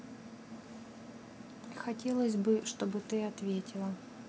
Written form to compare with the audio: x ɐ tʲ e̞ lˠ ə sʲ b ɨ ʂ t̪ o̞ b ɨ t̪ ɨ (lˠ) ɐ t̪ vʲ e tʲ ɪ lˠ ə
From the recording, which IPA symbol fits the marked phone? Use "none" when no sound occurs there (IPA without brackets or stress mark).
none